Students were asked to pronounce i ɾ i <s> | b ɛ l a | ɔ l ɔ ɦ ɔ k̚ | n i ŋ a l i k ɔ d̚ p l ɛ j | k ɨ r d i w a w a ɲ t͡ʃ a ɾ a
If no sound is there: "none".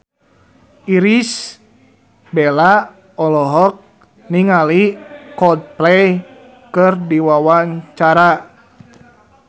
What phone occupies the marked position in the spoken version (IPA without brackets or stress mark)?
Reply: s